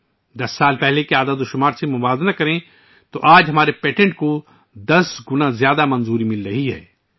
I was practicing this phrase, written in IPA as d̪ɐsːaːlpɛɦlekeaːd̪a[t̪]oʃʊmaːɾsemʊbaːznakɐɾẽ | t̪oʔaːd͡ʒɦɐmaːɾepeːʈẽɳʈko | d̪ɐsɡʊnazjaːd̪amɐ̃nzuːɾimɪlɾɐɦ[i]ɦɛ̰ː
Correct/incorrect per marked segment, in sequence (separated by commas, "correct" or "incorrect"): incorrect, correct